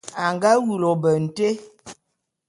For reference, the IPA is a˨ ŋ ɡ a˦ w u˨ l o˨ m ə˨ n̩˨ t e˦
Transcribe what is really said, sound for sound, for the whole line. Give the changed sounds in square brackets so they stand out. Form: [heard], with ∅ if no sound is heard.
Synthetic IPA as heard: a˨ ŋ ɡ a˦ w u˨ l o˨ [b] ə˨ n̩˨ t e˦